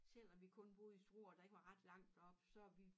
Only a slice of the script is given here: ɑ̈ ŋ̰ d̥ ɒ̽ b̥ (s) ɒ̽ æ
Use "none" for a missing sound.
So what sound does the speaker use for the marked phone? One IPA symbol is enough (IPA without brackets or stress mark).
s